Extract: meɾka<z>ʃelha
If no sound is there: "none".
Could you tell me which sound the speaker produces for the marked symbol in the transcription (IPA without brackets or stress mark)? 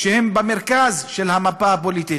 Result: z